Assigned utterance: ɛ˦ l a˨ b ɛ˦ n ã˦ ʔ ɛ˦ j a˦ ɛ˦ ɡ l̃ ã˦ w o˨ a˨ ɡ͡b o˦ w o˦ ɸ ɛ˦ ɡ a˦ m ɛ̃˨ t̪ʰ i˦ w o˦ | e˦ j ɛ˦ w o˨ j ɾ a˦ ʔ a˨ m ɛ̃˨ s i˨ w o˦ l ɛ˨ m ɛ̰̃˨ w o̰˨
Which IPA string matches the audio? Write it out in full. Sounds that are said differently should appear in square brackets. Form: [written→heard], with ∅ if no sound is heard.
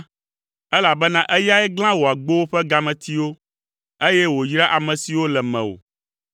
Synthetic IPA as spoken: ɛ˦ l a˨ b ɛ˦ n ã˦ ʔ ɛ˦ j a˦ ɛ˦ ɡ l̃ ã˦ w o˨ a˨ ɡ͡b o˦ w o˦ ɸ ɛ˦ ɡ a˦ m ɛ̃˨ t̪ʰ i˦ w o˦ | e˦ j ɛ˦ w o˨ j ɾ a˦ ʔ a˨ m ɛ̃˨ s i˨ w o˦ l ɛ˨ m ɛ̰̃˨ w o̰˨

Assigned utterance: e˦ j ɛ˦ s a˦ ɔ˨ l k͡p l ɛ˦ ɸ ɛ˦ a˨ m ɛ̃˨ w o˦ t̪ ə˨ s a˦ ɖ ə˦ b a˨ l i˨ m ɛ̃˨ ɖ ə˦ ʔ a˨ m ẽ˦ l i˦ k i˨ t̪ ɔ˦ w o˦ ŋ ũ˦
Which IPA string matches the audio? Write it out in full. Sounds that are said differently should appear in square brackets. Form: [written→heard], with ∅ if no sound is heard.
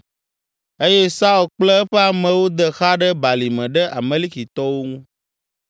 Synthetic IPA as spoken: e˦ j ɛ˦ s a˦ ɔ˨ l k͡p l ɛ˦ ɸ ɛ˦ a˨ m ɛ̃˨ w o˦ [t̪→d̪] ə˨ [s→x] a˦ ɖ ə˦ b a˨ l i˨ m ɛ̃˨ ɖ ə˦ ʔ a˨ m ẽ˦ l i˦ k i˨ t̪ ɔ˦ w o˦ ŋ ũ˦

